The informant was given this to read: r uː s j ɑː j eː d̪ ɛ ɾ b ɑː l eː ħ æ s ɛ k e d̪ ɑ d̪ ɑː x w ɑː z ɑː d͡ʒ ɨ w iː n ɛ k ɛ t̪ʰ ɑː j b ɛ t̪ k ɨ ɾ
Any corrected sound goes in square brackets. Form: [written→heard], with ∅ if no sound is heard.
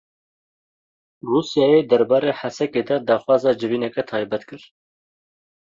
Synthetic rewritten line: r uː s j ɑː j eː d̪ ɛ ɾ b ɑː [l→ɾ] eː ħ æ s ɛ k e d̪ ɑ d̪ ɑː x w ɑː z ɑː d͡ʒ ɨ [w→v] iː n ɛ k ɛ t̪ʰ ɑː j b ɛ t̪ k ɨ ɾ